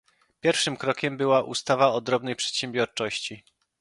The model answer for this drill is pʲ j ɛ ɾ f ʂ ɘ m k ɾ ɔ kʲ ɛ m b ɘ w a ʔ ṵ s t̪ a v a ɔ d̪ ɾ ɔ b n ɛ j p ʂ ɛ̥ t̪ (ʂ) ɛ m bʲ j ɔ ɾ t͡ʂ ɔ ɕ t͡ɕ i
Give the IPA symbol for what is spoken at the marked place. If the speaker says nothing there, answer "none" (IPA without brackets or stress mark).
ɕ